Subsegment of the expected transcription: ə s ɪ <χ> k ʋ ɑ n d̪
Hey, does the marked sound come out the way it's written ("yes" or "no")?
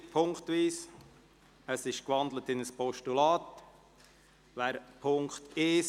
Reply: no